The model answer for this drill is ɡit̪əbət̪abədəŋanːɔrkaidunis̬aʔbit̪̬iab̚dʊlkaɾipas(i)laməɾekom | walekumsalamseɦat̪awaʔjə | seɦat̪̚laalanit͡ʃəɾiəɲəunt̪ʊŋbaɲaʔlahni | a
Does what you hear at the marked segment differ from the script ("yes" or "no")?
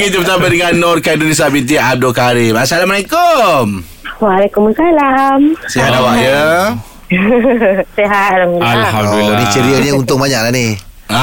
yes